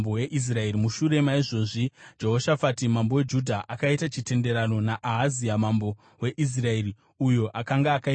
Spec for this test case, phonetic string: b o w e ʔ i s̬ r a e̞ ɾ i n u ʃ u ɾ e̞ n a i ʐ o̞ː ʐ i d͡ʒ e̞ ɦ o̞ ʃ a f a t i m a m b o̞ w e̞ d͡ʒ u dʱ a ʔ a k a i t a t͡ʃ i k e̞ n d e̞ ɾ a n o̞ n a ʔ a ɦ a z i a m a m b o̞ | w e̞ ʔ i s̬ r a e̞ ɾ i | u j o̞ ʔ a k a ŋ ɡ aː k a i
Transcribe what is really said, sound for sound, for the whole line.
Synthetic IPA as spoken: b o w e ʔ i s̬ r a e̞ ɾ i m u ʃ u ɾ e̞ m a i ʐ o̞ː ʐ i d͡ʒ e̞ ɦ o̞ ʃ a f a t i m a m b o̞ w e̞ d͡ʒ u dʱ a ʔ a k a i t a t͡ʃ i t e̞ n d e̞ ɾ a n o̞ n a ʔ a ɦ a z i a m a m b o̞ | w e̞ ʔ i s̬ r a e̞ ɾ i | u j o̞ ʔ a k a ŋ ɡ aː k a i